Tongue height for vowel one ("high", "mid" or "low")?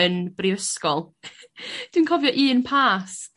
mid